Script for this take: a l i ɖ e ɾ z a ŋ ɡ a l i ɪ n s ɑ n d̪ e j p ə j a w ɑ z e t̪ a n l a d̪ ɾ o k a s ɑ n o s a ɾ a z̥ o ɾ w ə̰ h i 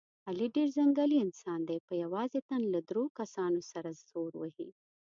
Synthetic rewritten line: a l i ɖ e ɾ z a ŋ ɡ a l i ɪ n s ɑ n d̪ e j p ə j a w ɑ z e t̪ a n l a d̪ ɾ o k a s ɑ n o s a ɾ a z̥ o ɾ w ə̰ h i